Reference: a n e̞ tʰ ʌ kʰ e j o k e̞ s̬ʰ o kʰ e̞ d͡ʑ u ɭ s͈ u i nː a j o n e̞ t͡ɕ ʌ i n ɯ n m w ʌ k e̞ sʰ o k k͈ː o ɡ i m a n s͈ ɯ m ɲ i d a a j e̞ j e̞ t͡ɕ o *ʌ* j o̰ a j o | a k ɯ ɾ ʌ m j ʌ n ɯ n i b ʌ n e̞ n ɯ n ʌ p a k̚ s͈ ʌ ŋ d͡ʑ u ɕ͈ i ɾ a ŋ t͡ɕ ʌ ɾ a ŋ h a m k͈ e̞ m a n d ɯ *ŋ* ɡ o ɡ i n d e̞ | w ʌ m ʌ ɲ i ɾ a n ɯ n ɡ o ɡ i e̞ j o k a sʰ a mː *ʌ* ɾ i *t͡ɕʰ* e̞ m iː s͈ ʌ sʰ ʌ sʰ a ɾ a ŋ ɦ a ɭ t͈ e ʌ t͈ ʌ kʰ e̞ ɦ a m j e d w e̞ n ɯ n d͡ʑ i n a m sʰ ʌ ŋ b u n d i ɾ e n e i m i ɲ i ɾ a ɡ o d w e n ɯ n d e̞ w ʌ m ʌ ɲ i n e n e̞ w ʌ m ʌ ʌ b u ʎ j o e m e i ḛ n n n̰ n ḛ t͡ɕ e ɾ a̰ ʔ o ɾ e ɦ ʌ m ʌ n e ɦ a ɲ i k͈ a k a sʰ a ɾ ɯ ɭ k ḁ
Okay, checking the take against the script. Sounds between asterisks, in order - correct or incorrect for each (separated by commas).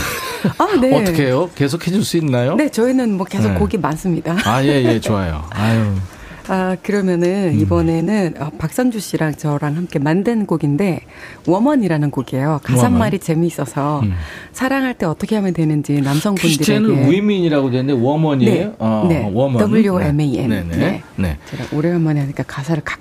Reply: incorrect, incorrect, incorrect, incorrect